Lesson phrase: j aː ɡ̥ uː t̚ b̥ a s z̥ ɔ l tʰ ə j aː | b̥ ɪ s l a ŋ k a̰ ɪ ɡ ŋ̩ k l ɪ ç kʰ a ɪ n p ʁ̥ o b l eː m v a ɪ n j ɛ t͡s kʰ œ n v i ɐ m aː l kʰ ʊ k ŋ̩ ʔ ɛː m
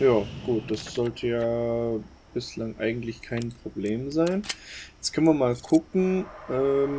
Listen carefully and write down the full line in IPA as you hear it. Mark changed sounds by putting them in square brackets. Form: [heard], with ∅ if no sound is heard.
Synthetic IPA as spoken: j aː ɡ̥ uː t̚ [d̥] a s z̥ ɔ l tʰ ə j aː | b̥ ɪ s l a ŋ [ʔ] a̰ ɪ ɡ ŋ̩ [t] l ɪ ç kʰ a ɪ n p ʁ̥ o b l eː m [z] a ɪ n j ɛ t͡s kʰ œ n v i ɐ m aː l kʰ ʊ k ŋ̩ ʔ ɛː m